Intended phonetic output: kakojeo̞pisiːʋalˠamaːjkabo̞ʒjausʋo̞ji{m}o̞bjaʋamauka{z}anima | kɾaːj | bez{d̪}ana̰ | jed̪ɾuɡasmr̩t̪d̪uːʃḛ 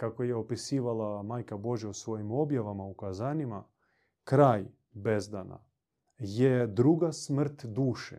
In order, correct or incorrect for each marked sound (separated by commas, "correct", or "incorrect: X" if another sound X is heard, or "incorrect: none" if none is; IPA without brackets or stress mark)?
correct, correct, correct